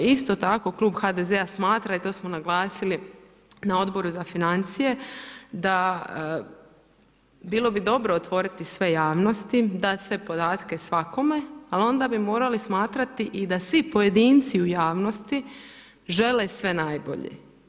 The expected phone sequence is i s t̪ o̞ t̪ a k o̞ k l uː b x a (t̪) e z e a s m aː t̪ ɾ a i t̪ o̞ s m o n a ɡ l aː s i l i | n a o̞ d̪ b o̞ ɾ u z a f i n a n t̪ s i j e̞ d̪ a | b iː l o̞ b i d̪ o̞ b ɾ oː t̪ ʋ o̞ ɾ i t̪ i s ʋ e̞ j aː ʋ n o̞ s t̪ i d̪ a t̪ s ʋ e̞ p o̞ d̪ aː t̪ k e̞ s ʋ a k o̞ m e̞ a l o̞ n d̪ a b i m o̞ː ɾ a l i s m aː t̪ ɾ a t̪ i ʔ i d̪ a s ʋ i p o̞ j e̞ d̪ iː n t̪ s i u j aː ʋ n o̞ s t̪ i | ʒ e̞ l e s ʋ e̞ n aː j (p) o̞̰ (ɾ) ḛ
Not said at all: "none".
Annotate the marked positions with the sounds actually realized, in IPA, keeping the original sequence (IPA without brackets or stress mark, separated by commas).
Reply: d̪, b, ʎ